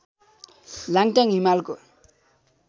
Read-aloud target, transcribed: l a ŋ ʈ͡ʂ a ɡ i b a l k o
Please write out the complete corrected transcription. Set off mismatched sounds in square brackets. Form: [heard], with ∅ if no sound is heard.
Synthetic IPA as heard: l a ŋ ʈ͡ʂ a [ŋ] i [m] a l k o